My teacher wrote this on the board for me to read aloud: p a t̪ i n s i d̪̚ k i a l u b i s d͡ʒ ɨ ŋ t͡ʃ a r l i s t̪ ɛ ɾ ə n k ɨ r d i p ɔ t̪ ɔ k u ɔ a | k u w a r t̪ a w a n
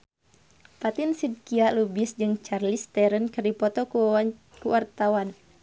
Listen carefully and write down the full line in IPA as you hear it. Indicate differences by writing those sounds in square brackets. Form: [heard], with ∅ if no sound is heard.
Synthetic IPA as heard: p a t̪ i n s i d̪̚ k i a l u b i s d͡ʒ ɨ ŋ t͡ʃ a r l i s t̪ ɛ ɾ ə n k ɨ r d i p ɔ t̪ ɔ k u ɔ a | k u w a r t̪ a w a n